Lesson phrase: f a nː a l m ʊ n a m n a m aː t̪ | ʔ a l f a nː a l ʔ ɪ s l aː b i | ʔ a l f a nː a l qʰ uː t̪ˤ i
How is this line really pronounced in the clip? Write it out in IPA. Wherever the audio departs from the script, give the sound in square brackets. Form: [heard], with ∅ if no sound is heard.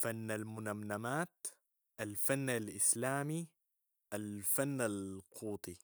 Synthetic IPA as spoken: f a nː a l m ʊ n a m n a m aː t̪ | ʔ a l f a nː a l ʔ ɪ s l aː [m] i | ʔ a l f a nː a l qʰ uː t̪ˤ i